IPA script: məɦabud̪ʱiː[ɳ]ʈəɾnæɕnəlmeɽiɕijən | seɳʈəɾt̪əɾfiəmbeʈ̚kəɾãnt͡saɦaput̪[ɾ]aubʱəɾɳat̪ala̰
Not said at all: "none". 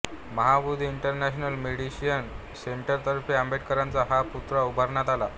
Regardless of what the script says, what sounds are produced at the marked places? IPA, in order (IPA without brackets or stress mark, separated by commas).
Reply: ɳ, ɾ